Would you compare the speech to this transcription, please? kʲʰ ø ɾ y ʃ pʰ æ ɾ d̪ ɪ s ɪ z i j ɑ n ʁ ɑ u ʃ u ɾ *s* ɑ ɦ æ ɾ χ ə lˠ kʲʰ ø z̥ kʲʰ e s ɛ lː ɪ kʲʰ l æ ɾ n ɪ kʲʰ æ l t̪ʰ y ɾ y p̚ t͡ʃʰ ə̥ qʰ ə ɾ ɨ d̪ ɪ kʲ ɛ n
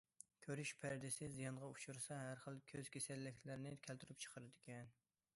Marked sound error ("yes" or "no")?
no